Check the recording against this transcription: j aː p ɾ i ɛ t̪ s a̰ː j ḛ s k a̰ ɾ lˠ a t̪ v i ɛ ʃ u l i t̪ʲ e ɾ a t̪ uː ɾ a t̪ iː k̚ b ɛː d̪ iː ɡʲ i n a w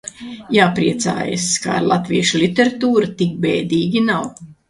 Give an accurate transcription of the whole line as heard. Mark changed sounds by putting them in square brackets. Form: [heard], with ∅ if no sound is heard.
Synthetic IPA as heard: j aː p ɾ i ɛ t̪ s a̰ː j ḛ s k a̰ ɾ lˠ a t̪ v i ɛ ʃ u l i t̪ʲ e ɾ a t̪ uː ɾ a t̪ [i] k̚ b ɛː d̪ iː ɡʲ i n a w